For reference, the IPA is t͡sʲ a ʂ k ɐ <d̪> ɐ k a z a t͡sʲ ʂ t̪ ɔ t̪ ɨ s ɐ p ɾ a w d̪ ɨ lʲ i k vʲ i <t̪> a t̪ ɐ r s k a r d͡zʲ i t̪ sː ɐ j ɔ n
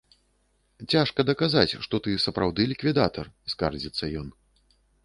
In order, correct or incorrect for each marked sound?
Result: correct, incorrect: d̪

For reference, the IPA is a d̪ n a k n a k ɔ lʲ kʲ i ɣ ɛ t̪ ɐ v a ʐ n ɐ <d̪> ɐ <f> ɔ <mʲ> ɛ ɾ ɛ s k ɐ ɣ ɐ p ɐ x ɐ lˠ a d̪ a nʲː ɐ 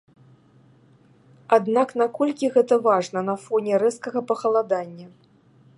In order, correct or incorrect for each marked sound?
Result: incorrect: n̪, correct, incorrect: nʲ

